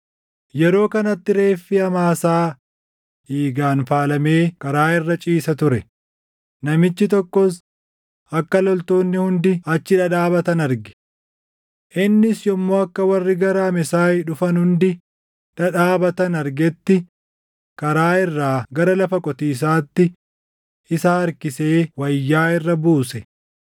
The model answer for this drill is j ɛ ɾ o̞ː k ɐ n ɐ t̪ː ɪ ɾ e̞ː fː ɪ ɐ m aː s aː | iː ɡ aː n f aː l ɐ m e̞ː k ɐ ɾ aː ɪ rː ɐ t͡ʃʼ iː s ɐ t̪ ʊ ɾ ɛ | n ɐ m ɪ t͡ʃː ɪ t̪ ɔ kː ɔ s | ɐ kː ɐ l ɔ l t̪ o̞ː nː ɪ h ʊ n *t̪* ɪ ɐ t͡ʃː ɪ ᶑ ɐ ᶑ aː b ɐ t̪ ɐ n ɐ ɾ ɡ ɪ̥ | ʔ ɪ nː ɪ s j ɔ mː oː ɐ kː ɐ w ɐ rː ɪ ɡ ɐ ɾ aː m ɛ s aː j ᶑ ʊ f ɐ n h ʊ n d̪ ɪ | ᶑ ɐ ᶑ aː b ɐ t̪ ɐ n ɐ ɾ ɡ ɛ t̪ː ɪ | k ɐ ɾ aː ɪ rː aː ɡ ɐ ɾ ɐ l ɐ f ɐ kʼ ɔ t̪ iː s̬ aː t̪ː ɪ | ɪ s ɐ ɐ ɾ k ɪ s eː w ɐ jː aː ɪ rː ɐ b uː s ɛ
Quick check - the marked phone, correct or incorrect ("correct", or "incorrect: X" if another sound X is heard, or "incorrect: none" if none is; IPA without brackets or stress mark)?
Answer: incorrect: d̪